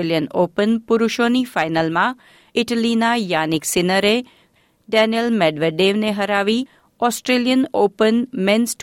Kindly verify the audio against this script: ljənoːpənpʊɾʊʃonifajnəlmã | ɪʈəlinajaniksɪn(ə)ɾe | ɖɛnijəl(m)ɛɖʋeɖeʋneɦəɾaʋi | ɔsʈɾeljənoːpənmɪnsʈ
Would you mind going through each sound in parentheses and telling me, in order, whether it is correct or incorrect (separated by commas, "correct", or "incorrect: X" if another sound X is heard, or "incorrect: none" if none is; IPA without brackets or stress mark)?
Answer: correct, correct